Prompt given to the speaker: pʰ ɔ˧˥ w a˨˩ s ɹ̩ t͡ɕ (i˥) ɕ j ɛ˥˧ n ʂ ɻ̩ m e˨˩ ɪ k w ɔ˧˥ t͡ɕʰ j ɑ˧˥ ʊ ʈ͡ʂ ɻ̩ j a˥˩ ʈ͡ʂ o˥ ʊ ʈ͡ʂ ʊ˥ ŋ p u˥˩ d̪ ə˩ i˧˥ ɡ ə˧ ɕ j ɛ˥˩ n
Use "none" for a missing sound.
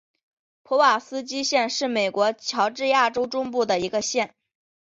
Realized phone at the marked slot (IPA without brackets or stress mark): i˥